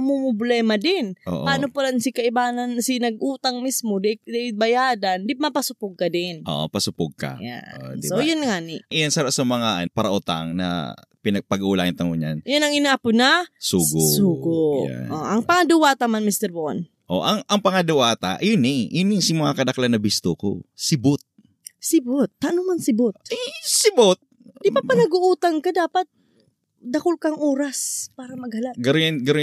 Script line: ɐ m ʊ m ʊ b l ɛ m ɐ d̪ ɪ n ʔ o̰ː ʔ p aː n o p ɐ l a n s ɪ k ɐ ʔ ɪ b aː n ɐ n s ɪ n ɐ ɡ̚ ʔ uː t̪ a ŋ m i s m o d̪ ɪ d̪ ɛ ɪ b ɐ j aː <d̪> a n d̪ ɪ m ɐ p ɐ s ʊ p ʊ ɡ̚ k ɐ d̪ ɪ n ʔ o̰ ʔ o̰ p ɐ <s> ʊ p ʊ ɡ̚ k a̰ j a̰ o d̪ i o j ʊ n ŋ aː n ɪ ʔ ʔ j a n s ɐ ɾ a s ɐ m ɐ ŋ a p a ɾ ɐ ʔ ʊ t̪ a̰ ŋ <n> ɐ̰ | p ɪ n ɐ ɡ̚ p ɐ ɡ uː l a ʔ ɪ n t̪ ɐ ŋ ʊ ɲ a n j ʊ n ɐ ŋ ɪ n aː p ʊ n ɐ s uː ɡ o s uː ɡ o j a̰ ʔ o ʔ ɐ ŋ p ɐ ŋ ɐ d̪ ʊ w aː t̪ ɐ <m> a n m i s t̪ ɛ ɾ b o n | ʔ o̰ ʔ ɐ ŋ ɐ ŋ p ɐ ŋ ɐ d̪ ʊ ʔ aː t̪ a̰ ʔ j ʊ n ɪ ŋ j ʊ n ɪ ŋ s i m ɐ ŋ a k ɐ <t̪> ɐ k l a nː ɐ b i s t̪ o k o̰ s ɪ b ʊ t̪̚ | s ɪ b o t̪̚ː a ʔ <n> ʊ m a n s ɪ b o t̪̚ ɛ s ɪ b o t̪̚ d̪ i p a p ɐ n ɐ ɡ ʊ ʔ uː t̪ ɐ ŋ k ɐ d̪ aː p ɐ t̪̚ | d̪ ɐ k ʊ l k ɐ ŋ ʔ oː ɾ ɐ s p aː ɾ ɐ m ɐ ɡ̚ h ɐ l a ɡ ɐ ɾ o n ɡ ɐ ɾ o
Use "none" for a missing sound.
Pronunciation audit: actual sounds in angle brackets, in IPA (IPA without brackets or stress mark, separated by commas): d̪, s, n, m, d̪, n